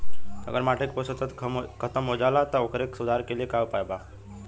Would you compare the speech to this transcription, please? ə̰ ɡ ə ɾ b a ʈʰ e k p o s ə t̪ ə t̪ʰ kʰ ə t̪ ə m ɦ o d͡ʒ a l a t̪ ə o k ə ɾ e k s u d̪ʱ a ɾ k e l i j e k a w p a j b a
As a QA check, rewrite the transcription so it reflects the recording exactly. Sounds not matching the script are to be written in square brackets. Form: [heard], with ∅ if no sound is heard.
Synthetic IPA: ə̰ ɡ ə ɾ [m] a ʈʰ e k p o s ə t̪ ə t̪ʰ kʰ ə t̪ ə m ɦ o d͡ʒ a l a t̪ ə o k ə ɾ e k s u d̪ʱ a ɾ k e l i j e k a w p a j b a